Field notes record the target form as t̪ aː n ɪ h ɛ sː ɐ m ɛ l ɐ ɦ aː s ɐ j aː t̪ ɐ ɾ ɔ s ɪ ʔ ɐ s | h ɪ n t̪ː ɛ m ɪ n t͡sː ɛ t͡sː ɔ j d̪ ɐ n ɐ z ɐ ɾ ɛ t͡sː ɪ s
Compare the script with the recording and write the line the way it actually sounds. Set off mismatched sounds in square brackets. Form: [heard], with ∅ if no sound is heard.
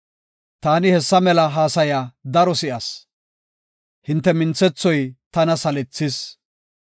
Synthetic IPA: t̪ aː n ɪ h ɛ sː ɐ m ɛ l ɐ ɦ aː s ɐ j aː [d̪] ɐ ɾ ɔ s ɪ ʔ ɐ s | h ɪ n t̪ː ɛ m ɪ n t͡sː ɛ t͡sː ɔ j [t̪] ɐ n ɐ [s] ɐ [l] ɛ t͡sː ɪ s